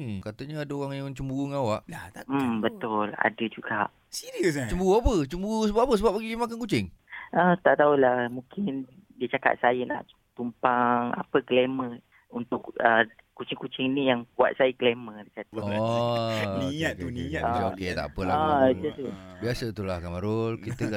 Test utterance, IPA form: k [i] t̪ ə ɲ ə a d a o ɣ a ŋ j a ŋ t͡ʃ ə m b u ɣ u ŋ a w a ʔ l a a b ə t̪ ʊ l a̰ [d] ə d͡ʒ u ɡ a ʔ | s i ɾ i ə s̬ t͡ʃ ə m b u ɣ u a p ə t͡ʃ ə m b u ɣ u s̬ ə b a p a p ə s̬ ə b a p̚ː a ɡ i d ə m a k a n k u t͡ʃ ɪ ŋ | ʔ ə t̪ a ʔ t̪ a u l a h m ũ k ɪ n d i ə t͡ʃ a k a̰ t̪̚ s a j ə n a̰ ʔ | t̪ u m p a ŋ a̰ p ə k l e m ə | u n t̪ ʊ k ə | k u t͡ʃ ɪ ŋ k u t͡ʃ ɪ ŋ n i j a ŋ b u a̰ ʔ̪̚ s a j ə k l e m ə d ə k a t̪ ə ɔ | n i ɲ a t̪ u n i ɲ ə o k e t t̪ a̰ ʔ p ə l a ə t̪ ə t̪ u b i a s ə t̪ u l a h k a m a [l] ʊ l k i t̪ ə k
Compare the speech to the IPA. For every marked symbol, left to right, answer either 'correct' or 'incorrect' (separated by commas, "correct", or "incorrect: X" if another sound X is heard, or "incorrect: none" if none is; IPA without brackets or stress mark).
incorrect: a, correct, incorrect: ɾ